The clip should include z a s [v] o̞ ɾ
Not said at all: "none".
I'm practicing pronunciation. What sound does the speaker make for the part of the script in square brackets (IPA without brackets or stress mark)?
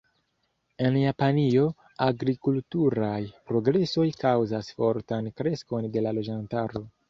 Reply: f